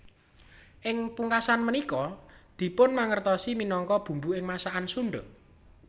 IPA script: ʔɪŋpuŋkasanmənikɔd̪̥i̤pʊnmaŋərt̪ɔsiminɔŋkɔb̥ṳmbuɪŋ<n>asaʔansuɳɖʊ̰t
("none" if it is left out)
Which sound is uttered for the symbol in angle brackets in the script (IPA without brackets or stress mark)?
m